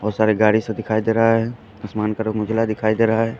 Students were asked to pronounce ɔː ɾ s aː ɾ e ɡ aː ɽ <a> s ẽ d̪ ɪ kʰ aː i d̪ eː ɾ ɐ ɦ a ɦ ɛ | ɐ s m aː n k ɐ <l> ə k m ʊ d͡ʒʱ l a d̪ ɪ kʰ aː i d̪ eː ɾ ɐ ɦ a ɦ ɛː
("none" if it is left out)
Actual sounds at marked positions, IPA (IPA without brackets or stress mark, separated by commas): i, ɾ